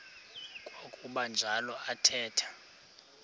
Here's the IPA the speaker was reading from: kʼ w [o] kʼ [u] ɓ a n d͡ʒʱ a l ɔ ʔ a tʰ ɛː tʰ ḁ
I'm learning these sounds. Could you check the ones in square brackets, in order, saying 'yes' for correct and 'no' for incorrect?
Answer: yes, yes

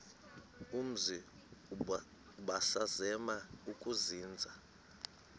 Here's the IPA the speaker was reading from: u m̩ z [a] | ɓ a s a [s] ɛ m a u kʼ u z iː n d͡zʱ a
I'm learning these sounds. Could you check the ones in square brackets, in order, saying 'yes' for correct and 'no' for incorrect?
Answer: no, no

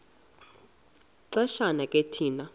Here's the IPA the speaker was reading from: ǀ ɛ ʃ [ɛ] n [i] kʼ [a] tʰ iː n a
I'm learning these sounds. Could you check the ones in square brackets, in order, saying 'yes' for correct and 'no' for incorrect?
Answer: no, no, no

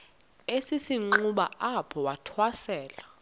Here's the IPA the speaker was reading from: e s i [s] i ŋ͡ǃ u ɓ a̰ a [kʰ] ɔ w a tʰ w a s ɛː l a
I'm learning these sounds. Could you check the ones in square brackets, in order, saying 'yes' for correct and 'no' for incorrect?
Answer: yes, no

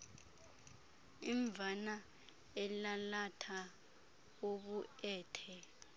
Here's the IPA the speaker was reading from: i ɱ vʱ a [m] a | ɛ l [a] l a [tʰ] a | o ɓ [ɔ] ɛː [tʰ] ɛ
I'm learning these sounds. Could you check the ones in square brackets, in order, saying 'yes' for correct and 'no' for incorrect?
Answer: no, yes, yes, no, yes

